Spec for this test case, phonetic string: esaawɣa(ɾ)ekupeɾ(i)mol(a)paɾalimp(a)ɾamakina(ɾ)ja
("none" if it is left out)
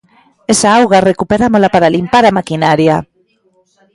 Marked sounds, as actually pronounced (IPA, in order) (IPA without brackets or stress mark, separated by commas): r, a, a, a, ɾ